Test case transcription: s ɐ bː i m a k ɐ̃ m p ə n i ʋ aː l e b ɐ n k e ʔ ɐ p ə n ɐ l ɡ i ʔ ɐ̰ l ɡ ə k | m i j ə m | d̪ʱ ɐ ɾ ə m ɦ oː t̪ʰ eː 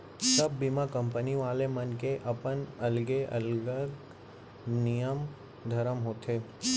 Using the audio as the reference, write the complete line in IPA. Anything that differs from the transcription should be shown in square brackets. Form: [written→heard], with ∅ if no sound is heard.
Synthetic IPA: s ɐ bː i m a k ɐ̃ m p ə n i ʋ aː l e [b→m] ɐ n k e ʔ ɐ p ə n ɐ l ɡ [i→e] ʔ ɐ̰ l ɡ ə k | [m→n] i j ə m | d̪ʱ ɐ ɾ ə m ɦ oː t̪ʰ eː